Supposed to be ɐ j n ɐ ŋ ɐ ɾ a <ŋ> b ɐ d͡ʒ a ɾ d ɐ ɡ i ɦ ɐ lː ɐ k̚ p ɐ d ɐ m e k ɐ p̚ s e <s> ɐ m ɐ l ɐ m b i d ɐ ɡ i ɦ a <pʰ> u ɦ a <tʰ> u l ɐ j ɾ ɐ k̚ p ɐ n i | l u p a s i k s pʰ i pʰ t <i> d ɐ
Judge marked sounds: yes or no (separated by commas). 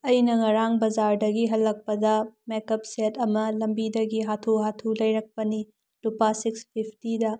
yes, no, no, yes, yes